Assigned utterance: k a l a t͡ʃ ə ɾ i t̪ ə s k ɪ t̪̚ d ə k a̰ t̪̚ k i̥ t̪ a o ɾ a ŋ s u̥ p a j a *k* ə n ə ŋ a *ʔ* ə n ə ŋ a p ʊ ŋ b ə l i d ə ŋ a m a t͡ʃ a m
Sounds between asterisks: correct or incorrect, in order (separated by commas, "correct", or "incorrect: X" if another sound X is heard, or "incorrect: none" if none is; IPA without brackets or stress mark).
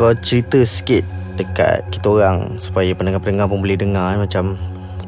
incorrect: p, incorrect: p